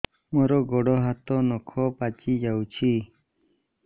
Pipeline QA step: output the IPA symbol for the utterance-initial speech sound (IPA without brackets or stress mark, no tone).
m